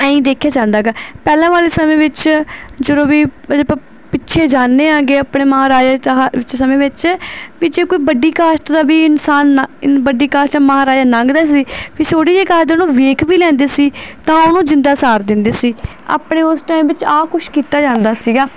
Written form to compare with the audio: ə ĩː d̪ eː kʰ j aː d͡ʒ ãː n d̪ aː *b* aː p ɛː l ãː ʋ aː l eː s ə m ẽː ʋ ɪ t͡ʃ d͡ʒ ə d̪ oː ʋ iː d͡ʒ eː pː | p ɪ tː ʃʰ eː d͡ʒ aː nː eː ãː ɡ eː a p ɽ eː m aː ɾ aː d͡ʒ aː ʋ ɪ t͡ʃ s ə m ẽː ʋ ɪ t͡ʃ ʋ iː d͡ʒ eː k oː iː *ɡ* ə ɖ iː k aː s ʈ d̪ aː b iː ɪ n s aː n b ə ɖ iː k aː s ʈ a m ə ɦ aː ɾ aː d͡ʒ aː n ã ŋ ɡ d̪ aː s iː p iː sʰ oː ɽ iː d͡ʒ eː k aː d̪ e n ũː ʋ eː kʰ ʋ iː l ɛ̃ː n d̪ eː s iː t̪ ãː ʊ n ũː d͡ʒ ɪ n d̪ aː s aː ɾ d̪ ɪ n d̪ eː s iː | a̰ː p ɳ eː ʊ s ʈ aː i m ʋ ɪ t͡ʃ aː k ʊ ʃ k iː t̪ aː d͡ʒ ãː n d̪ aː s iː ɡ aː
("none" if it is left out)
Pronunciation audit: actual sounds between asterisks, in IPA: ɡ, b

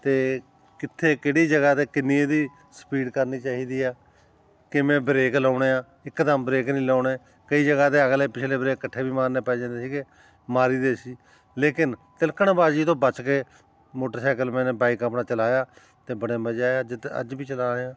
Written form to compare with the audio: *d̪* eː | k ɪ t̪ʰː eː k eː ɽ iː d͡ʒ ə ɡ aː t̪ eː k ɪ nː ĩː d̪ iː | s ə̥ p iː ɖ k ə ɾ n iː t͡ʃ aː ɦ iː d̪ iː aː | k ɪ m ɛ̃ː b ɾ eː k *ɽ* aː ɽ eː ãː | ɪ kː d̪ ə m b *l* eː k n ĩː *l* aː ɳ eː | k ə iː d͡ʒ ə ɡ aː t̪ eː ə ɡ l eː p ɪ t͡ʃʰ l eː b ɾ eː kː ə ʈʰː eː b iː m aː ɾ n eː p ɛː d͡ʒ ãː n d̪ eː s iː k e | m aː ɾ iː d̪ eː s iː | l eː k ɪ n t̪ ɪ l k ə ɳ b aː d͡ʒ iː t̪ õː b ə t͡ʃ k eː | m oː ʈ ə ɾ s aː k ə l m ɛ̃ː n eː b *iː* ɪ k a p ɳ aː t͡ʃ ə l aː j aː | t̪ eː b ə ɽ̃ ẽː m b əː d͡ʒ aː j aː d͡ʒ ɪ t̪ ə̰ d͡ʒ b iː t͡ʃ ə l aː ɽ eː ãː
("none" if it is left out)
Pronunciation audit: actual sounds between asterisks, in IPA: t̪, l, ɾ, l, aː

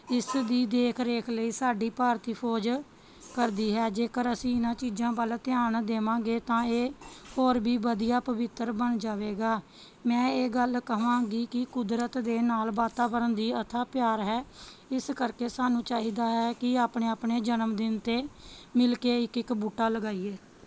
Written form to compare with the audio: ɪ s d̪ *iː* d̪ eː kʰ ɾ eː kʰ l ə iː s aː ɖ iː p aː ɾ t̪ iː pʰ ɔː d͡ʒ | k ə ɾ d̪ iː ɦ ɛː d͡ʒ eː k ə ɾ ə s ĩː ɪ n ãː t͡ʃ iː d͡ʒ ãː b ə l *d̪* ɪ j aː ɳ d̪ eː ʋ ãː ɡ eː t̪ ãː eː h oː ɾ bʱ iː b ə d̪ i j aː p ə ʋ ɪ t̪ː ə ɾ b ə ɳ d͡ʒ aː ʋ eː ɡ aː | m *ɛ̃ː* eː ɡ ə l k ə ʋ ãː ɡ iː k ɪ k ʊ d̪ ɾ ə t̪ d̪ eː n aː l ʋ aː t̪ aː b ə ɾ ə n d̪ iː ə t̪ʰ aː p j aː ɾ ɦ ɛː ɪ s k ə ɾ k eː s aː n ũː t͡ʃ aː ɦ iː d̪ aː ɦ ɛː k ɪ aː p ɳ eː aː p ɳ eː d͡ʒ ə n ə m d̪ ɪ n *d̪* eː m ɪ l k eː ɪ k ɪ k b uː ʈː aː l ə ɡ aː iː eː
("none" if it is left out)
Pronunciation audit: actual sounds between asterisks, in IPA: iː, t̪, ɛ̃ː, t̪

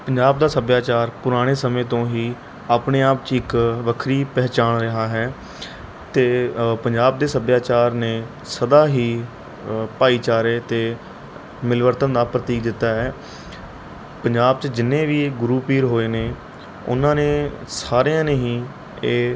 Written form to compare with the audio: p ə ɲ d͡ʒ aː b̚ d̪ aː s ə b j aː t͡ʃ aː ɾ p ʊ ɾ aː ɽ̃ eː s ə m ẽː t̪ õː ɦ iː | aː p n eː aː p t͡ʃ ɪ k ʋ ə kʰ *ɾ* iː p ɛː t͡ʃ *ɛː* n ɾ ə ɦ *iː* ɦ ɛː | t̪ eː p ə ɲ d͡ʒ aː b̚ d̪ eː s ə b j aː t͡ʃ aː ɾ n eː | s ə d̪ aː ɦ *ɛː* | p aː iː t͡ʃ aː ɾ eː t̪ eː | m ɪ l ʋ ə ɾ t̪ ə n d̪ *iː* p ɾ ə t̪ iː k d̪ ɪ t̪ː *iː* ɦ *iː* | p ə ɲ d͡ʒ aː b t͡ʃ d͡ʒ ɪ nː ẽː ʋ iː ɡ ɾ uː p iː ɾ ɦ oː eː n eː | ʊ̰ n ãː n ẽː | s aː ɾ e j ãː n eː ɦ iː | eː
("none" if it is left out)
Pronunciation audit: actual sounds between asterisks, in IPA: ɾ, aː, aː, iː, aː, aː, ɛː

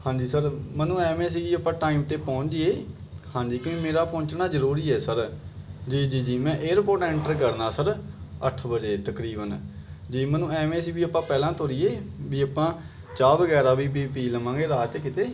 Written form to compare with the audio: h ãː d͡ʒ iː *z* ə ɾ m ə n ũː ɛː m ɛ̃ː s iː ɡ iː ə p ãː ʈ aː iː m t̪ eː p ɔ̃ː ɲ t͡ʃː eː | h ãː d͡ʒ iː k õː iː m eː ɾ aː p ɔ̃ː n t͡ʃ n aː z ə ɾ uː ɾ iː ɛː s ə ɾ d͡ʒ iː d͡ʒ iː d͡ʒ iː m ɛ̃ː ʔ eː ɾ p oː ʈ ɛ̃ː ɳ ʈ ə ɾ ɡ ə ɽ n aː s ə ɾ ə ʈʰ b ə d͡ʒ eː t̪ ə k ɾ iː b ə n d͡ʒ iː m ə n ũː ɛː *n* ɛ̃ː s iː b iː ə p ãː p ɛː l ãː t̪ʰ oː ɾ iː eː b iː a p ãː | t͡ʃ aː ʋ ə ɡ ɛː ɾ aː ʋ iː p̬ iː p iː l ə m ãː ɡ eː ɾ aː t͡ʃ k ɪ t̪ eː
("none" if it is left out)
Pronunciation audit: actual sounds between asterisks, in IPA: s, m

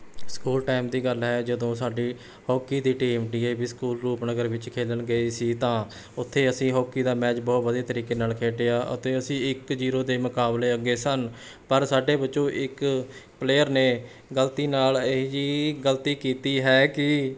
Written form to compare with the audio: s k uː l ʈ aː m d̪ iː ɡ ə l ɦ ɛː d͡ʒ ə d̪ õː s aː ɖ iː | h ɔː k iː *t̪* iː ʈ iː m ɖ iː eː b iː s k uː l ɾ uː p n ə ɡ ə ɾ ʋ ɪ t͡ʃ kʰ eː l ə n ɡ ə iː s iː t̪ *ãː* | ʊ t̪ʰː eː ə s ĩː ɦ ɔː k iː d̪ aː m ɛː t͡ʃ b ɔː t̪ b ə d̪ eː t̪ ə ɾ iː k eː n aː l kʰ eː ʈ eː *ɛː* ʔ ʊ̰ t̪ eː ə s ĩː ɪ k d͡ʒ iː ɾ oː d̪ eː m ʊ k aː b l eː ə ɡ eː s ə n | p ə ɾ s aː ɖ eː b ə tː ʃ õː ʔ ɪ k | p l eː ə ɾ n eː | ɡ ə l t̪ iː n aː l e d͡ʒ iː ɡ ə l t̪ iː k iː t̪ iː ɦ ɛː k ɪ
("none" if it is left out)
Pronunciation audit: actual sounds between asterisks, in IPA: d̪, ãː, aː

